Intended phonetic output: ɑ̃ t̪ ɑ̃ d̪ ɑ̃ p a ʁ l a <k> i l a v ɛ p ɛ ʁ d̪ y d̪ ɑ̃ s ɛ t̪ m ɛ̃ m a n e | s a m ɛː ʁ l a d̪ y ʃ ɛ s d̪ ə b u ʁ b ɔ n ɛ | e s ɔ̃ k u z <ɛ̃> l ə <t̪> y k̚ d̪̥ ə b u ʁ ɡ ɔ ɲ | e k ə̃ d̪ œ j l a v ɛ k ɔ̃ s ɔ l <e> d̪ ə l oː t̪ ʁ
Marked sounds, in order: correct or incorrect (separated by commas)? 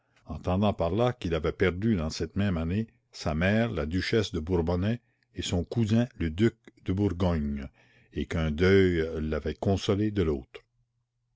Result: correct, correct, incorrect, correct